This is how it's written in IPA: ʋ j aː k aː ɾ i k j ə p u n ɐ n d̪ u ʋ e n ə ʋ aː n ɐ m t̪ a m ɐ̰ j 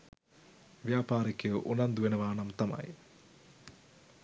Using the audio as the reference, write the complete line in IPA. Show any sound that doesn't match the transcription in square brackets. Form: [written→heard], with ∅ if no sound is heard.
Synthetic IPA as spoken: ʋ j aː [k→p] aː ɾ i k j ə [p→ʔ] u n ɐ n d̪ u ʋ e n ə ʋ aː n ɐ m t̪ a m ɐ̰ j